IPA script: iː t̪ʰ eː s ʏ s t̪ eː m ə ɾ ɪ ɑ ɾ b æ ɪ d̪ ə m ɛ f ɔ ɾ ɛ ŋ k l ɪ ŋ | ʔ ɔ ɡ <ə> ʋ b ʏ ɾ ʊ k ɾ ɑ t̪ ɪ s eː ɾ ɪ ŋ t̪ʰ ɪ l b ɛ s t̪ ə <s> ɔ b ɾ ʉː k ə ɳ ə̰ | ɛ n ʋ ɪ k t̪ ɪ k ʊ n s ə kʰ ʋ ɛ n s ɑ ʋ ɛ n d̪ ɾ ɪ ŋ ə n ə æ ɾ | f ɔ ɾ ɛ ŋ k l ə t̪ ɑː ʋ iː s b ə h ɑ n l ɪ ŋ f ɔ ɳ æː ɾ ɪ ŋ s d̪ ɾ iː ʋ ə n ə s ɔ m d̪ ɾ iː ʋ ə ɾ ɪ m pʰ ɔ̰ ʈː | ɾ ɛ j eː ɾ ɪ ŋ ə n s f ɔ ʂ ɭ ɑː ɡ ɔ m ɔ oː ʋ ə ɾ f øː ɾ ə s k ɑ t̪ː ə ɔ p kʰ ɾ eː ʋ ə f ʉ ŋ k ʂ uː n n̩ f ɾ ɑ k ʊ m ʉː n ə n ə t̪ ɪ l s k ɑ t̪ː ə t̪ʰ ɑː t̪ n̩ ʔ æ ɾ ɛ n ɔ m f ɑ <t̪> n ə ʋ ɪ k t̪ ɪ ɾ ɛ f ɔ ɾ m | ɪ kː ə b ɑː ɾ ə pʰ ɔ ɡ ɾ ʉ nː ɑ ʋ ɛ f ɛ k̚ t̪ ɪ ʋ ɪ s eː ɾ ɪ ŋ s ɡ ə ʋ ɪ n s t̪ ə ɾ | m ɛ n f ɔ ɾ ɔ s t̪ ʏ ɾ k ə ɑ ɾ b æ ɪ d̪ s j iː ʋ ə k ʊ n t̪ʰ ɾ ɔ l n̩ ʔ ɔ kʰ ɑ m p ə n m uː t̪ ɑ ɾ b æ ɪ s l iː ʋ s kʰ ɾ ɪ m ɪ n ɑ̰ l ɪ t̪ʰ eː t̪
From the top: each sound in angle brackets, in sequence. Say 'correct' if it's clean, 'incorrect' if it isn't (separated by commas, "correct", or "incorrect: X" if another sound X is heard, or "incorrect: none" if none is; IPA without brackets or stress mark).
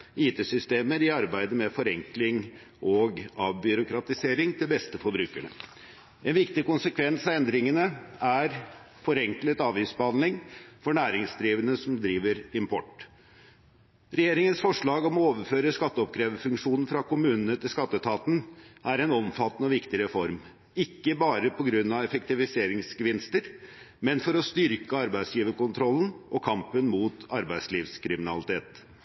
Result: incorrect: ɑ, incorrect: f, correct